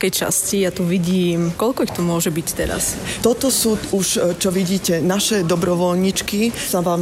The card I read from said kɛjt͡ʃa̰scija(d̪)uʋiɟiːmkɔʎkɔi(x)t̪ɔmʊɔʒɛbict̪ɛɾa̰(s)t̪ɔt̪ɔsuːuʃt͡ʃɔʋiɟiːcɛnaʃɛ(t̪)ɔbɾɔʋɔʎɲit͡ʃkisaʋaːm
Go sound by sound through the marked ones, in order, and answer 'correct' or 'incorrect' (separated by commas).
incorrect, correct, correct, incorrect